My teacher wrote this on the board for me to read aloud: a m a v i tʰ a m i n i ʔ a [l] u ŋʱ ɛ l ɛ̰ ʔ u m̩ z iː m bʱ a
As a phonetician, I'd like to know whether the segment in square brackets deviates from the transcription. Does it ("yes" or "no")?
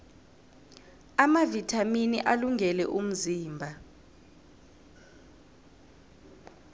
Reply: no